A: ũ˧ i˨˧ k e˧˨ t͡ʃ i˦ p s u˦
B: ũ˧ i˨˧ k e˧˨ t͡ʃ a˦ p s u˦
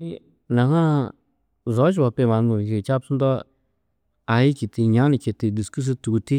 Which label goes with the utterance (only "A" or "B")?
B